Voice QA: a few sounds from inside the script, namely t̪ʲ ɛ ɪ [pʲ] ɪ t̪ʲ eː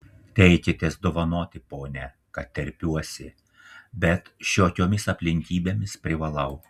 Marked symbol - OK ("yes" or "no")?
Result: no